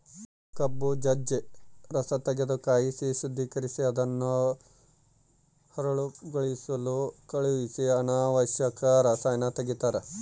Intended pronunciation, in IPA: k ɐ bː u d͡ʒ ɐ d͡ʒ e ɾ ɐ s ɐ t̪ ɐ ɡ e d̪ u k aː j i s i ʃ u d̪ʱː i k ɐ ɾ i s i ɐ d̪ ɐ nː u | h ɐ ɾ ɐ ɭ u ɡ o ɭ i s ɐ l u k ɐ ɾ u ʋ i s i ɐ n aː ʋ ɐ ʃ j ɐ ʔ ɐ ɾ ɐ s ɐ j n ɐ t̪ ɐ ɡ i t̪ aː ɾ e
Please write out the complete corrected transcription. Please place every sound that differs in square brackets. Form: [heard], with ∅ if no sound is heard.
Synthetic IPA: k ɐ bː u d͡ʒ ɐ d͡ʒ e ɾ ɐ s ɐ t̪ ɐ ɡ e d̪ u k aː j i s i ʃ u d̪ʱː i k ɐ ɾ i s i ɐ d̪ ɐ nː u | h ɐ ɾ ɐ ɭ u ɡ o ɭ i s ɐ l u k ɐ [ɭ] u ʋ i s i ɐ n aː ʋ ɐ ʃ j ɐ [k] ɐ ɾ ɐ s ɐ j n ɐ t̪ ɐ ɡ i t̪ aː ɾ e